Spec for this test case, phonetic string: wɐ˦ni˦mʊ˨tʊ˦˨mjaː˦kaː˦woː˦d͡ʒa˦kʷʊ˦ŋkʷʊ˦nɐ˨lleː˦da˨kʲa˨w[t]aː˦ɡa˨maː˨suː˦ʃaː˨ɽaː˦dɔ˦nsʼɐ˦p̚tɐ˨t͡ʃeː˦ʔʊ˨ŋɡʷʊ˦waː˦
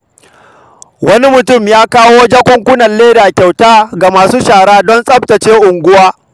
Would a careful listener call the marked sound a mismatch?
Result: no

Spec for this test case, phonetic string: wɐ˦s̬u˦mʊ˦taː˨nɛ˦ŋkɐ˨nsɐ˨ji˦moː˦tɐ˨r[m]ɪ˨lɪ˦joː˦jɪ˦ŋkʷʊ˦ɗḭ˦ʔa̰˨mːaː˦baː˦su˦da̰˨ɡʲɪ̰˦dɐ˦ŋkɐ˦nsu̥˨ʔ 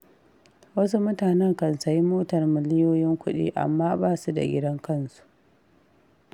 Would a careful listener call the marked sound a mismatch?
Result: no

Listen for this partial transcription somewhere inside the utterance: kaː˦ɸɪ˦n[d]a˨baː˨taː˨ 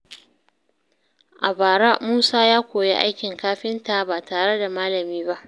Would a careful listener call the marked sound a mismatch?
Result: yes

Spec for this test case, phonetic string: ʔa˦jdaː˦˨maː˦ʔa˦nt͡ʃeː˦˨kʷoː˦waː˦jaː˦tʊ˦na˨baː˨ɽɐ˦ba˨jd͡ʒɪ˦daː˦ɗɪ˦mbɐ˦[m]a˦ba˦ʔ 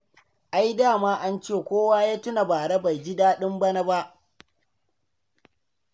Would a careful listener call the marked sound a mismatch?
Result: yes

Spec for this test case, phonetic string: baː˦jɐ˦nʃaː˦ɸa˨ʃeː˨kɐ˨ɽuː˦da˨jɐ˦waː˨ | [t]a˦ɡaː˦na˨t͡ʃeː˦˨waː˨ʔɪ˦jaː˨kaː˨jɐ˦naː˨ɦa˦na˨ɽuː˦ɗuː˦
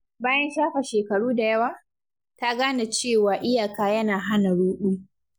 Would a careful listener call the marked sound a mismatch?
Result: no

